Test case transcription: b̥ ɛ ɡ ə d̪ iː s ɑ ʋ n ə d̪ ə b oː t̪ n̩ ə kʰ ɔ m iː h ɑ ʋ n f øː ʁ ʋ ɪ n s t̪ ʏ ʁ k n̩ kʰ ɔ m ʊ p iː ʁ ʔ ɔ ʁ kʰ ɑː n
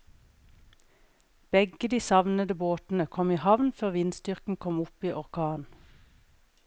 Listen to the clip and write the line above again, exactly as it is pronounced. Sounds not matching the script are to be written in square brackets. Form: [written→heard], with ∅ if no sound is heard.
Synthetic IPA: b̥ ɛ ɡ ə d̪ iː s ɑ ʋ n ə d̪ ə b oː t̪ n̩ ə kʰ ɔ m iː h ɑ ʋ n f øː ʁ ʋ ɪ n s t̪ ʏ ʁ k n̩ kʰ ɔ m ʊ p iː [ʁ→∅] ʔ ɔ ʁ kʰ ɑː n